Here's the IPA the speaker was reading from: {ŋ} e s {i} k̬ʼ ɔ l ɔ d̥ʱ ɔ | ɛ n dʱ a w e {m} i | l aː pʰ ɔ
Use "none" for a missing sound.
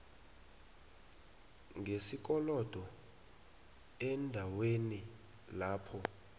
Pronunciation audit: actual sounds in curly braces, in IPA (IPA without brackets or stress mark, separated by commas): ŋ, i, n